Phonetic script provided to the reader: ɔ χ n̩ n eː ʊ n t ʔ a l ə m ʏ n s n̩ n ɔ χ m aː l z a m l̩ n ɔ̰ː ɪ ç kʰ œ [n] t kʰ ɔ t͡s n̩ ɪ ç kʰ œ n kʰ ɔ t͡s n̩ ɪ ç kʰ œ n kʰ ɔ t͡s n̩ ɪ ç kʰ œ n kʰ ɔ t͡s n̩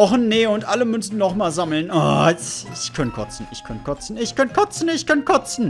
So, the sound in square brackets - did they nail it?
yes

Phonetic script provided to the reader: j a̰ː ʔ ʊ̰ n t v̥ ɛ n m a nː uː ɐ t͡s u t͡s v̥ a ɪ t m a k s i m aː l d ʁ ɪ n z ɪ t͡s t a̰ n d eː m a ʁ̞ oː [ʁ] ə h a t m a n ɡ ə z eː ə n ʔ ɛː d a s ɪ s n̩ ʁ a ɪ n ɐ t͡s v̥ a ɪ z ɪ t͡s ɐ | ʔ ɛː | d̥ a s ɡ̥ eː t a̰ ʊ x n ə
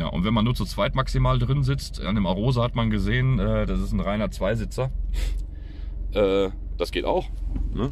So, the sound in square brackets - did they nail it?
no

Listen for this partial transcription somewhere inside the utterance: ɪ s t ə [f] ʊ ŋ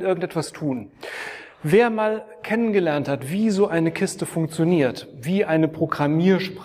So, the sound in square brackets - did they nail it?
yes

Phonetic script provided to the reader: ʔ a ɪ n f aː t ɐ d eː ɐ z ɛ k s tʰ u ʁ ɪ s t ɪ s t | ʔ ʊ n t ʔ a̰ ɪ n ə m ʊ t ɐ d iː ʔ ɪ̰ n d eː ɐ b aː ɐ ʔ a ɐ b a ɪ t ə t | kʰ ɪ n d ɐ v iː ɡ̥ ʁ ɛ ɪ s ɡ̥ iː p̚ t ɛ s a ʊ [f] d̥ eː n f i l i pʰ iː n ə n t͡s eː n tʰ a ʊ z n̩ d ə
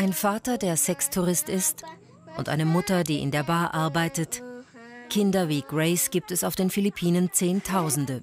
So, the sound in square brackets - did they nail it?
yes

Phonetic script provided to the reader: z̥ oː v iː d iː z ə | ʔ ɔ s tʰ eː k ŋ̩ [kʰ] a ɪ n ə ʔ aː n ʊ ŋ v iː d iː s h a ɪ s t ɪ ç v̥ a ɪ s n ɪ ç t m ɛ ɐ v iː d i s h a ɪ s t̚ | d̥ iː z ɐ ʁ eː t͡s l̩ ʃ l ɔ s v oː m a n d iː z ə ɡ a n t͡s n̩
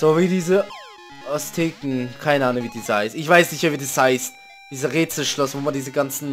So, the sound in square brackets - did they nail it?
yes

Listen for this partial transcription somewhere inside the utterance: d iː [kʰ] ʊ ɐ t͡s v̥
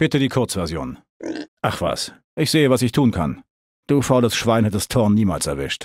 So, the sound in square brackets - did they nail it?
yes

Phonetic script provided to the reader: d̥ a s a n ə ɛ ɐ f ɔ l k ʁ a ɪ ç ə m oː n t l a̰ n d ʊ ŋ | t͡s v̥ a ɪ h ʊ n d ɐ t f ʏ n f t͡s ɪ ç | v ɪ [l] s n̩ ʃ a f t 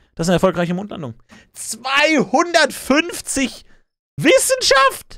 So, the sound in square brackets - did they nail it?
no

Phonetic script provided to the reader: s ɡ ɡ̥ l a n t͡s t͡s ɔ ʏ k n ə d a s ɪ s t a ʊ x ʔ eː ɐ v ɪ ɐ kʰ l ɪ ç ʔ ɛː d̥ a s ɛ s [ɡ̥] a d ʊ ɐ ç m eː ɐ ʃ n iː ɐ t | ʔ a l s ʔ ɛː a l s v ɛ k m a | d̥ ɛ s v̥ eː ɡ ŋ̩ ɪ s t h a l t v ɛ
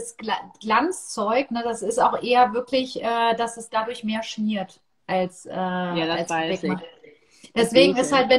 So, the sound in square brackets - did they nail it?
no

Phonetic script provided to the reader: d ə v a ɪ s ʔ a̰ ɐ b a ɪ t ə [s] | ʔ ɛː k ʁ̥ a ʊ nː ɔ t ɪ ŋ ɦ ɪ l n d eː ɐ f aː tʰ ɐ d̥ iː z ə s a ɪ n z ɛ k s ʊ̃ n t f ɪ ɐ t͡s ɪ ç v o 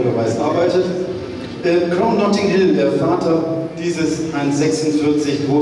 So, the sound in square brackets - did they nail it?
no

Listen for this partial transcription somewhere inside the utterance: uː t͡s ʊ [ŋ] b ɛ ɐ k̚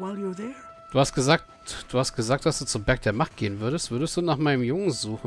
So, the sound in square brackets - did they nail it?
no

